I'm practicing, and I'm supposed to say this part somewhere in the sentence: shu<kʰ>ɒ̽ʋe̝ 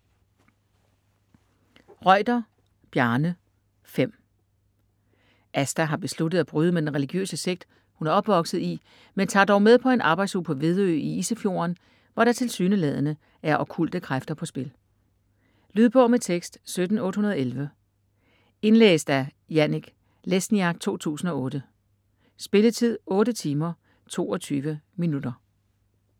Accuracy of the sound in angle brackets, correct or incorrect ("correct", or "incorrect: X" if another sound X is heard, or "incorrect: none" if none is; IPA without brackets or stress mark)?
incorrect: pʰ